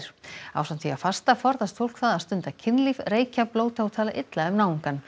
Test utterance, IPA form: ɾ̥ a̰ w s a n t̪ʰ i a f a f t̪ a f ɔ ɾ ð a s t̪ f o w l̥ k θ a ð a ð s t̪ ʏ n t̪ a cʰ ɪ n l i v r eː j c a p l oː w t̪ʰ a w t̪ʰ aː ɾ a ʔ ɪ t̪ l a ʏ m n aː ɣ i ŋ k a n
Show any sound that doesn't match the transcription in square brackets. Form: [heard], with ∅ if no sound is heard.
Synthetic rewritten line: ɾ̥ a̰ w s a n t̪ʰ i a f a [s] t̪ a f ɔ ɾ ð a s t̪ f o w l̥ k θ a ð a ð s t̪ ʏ n t̪ a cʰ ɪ n l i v r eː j c a p l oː w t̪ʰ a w t̪ʰ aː [l] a ʔ ɪ t̪ l a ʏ m n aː [w] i ŋ k a n